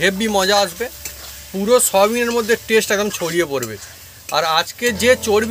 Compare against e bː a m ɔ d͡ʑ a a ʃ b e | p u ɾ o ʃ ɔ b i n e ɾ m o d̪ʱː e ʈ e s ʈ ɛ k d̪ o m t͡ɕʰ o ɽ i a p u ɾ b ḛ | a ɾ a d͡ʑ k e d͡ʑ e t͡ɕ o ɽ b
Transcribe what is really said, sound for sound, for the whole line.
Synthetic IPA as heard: e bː i m ɔ d͡ʑ a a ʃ b e | p u ɾ o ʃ ɔ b i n e ɾ m o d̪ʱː e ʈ e s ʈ ɛ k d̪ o m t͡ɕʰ o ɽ i e p o ɾ b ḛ | a ɾ a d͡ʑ k e d͡ʑ e t͡ɕ o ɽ b

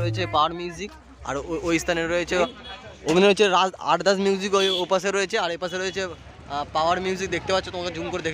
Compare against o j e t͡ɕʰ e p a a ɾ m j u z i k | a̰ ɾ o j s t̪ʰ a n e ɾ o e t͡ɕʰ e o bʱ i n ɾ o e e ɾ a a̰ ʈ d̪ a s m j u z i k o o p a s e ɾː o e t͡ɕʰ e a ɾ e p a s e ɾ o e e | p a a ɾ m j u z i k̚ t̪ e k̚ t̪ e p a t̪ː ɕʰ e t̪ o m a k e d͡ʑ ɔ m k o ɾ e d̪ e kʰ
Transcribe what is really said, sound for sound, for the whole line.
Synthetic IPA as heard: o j e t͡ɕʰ e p a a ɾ m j u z i k | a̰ ɾ o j s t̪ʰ a n e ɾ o e t͡ɕʰ e o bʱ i n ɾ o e e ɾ a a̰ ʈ d̪ a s m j u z i k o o p a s e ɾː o e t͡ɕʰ e a ɾ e p a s e ɾ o e e | p a a ɾ m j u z i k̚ d̪ e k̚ t̪ e p a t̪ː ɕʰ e t̪ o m a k e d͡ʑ u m k o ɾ e d̪ e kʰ

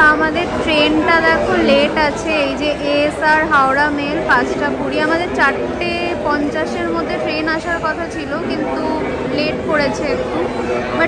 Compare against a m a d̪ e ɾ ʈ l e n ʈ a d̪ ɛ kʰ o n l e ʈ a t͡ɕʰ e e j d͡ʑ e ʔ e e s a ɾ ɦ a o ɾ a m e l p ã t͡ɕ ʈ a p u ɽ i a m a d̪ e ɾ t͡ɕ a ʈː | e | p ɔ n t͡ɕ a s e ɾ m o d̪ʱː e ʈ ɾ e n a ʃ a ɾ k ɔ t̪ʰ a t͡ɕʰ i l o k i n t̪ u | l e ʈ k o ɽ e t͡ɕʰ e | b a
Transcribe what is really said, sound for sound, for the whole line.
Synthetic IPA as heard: a m a d̪ e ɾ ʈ ɾ e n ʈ a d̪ ɛ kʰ o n l e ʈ a t͡ɕʰ e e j d͡ʑ e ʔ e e s a ɾ ɦ a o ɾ a m e l p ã t͡ɕ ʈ a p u ɽ i a m a d̪ e ɾ t͡ɕ a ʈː | e | p ɔ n t͡ɕ a ʃ e ɾ m o d̪ʱː e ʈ ɾ e n a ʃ a ɾ k ɔ t̪ʰ a t͡ɕʰ i l o k i n t̪ u | l e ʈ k o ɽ e t͡ɕʰ e | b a

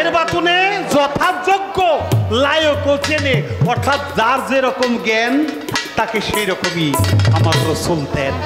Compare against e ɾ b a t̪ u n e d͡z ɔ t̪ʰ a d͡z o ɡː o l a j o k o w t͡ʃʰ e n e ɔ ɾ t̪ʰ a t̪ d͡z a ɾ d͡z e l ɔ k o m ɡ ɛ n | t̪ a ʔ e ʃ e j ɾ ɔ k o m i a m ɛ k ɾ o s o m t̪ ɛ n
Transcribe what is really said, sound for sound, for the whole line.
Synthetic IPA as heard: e ɾ b a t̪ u n e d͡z ɔ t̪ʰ a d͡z o ɡː o l a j o k o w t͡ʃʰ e n e ɔ ɾ t̪ʰ a t̪ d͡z a ɾ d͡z e ɾ ɔ k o m ɡ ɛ n | t̪ a k e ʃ e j ɾ ɔ k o m i a m a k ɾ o s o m t̪ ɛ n

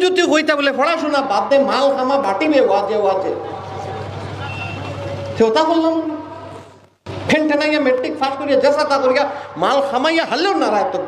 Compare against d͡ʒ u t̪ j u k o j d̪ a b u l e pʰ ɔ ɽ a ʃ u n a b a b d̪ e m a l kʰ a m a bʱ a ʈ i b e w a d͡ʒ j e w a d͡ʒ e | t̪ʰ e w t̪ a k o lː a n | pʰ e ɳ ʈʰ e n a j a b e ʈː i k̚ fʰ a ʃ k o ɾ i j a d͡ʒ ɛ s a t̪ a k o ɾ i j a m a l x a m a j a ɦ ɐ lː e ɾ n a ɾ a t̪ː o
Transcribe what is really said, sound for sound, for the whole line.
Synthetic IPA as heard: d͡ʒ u t̪ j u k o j t̪ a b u l e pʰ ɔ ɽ a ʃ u n a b a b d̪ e m a l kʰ a m a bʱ a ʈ i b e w a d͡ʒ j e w a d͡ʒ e | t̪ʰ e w t̪ a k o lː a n | pʰ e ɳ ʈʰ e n a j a m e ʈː i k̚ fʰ a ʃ k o ɾ i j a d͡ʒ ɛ s a t̪ a k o ɾ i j a m a l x a m a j a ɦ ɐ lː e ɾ n a ɾ a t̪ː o

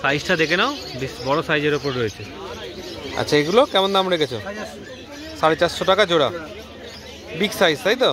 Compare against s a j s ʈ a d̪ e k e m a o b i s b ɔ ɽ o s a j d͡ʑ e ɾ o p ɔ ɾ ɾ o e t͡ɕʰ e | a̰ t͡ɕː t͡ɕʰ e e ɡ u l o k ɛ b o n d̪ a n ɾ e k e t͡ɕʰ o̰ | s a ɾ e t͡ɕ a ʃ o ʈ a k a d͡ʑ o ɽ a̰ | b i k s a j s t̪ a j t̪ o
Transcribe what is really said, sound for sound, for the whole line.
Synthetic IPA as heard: s a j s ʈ a d̪ e k e n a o b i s b ɔ ɽ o s a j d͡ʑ e ɾ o p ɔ ɾ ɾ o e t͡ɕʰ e | a̰ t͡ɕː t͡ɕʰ a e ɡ u l o k ɛ m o n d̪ a m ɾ e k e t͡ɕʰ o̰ | s a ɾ e t͡ɕ a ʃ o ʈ a k a d͡ʑ o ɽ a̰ | b i k s a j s t̪ a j t̪ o

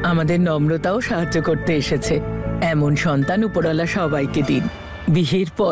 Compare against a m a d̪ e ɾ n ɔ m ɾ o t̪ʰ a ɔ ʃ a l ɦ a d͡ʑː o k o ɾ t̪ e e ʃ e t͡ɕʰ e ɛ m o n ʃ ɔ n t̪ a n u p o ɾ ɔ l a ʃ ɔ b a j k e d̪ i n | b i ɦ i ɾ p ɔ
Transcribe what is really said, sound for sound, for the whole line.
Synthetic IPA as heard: a m a d̪ e ɾ n ɔ m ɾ o t̪ a o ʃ a ɦ a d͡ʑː o k o ɾ t̪ e e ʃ e t͡ɕʰ e ɛ m o n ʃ ɔ n t̪ a n u p o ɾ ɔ l a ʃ ɔ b a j k e d̪ i n | b i ɦ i ɾ p ɔ

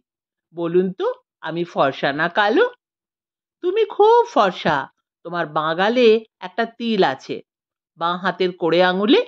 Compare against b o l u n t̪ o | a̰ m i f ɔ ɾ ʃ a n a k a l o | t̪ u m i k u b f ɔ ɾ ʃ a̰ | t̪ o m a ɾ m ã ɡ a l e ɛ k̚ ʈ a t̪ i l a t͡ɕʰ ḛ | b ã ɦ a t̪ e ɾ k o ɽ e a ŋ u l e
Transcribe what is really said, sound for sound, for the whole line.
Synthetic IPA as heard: b o l u n t̪ o | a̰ m i f ɔ ɾ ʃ a n a k a l o | t̪ u m i kʰ u b f ɔ ɾ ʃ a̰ | t̪ o m a ɾ b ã ɡ a l e ɛ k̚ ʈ a t̪ i l a t͡ɕʰ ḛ | b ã ɦ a t̪ e ɾ k o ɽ e a ŋ u l e

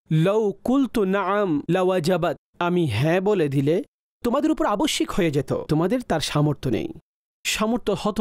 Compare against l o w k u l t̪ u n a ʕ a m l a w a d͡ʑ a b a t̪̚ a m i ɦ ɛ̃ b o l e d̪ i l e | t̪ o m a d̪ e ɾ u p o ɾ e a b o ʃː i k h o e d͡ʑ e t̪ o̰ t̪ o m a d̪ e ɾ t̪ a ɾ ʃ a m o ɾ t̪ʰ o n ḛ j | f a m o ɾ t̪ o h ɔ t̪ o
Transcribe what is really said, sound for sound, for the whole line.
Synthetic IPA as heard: l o w k u l t̪ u n a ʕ a m l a w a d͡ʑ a b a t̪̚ a m i ɦ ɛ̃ b o l e d̪ i l e | t̪ o m a d̪ e ɾ u p o ɾ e a b o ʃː i k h o e d͡ʑ e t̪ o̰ t̪ o m a d̪ e ɾ t̪ a ɾ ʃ a m o ɾ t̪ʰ o n ḛ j | ʃ a m o ɾ t̪ o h ɔ t̪ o

